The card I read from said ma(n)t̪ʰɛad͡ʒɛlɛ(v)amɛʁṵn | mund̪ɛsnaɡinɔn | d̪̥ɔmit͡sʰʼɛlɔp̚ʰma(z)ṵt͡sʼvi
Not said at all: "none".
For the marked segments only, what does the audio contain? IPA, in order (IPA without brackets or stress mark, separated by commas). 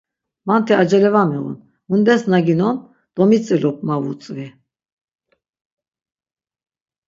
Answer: n, v, v